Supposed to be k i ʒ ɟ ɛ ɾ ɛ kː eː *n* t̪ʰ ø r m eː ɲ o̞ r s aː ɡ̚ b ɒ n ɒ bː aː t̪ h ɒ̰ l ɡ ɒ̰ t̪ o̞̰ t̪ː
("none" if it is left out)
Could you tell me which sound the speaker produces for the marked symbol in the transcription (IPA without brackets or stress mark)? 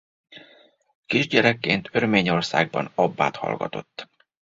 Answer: n